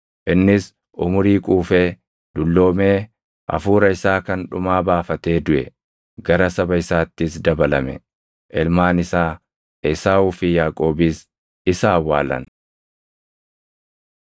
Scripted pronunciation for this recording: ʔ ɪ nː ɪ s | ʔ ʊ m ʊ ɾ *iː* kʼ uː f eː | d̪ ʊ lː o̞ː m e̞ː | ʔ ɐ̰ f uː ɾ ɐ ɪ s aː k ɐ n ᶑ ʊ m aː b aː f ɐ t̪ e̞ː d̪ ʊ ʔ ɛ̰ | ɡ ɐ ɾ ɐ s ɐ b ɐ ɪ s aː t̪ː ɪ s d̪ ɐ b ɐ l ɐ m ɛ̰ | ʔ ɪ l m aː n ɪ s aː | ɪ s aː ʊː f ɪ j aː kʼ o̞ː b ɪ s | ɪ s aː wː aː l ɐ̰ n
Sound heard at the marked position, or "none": iː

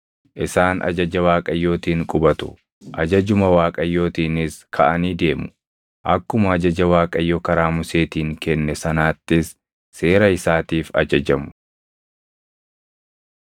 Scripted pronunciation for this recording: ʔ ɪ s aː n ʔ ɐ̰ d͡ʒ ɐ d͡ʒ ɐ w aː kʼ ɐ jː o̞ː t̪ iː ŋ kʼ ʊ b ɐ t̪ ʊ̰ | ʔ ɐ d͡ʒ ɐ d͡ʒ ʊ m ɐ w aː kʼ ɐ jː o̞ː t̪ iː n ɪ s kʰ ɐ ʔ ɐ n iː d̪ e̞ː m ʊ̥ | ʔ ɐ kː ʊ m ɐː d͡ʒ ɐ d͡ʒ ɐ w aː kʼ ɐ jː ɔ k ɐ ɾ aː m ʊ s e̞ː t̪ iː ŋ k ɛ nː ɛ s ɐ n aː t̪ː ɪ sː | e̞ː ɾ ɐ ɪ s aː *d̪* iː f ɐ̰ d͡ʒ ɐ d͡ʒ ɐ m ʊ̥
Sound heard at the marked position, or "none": t̪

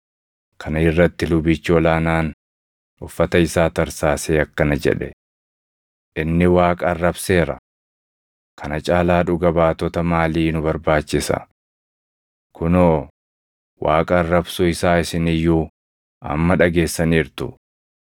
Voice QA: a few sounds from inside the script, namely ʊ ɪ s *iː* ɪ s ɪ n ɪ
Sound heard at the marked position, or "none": aː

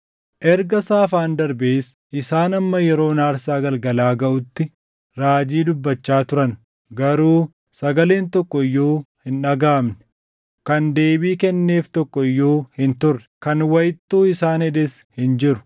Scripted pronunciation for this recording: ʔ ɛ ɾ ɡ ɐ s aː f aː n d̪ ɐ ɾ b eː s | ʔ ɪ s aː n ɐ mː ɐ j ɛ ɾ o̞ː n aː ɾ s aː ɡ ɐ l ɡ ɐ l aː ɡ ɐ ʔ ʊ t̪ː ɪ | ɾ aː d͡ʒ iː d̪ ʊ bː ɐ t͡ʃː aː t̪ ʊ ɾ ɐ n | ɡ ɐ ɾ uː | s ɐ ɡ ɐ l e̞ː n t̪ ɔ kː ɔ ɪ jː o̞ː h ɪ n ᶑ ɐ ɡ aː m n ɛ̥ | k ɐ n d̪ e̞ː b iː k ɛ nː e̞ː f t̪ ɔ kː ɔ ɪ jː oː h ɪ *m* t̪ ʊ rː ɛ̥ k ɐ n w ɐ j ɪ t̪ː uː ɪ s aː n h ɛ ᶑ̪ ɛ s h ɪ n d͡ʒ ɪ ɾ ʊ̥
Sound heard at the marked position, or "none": n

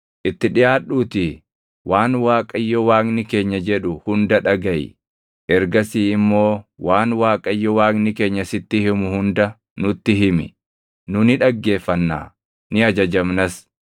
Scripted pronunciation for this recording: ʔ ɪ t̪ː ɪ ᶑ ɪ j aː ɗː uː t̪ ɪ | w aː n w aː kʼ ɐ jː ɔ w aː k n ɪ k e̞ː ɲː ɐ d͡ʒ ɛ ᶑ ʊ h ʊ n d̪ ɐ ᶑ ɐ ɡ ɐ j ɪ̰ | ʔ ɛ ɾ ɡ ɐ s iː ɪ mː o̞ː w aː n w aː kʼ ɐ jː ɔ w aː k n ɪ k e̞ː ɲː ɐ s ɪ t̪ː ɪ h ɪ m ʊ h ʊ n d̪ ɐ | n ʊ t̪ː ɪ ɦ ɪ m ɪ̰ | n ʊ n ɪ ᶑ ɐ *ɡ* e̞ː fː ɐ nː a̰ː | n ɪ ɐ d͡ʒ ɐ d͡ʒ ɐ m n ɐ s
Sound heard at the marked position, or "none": ɡː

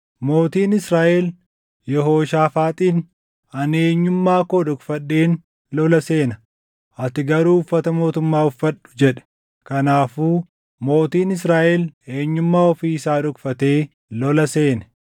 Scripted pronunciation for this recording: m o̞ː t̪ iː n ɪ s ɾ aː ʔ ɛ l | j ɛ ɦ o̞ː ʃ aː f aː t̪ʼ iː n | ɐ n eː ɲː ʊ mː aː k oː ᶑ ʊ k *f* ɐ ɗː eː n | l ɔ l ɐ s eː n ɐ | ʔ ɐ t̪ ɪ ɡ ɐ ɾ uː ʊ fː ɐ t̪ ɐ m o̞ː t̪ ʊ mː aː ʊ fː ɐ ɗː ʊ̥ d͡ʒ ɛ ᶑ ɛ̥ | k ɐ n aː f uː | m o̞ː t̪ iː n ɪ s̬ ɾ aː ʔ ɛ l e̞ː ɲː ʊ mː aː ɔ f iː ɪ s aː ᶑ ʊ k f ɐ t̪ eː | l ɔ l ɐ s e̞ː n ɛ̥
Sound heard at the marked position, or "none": f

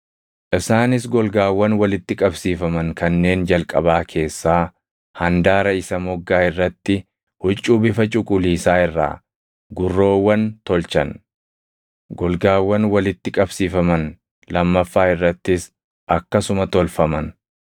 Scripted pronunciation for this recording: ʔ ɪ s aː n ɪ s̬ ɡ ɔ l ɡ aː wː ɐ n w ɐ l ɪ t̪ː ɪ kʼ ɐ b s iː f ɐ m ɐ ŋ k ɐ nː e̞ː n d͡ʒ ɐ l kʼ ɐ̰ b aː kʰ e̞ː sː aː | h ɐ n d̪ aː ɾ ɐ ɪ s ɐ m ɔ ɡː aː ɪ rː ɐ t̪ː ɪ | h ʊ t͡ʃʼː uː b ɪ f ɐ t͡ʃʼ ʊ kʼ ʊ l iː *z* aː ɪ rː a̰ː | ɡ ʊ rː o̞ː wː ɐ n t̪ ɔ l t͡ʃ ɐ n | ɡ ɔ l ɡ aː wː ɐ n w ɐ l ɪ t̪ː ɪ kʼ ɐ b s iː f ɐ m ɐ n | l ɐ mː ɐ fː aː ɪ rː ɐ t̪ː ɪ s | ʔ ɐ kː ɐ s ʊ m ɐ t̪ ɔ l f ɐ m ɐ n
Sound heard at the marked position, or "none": s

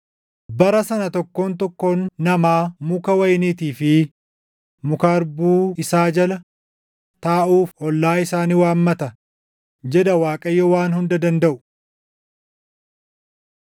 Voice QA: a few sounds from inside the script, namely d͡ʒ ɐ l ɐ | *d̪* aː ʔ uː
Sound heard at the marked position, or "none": t̪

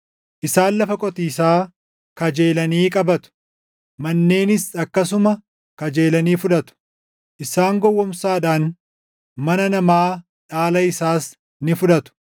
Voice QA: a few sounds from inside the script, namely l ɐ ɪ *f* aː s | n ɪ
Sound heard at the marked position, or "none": s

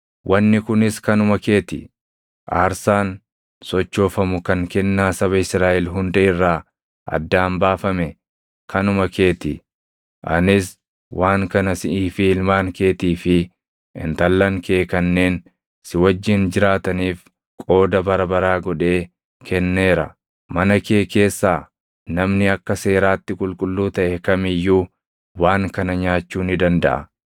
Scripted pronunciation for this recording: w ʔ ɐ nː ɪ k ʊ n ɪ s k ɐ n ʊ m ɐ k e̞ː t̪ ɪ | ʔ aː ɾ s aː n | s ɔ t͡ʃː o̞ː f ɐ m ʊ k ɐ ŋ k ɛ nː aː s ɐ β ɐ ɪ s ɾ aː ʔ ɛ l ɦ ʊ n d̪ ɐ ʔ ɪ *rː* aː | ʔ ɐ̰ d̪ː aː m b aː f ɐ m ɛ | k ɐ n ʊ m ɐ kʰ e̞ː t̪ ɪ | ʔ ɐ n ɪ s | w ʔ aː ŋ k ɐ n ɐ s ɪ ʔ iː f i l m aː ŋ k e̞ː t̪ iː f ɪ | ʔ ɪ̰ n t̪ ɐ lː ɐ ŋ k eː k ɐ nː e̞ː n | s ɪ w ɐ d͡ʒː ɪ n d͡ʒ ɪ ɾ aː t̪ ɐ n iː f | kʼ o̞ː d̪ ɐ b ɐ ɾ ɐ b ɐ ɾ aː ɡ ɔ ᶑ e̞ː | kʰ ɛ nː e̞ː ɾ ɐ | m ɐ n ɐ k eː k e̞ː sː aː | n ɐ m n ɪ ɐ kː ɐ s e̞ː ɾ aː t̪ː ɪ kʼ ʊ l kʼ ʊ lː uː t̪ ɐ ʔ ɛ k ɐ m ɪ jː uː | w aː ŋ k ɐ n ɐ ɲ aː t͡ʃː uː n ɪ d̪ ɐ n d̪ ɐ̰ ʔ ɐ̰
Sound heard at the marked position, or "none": rː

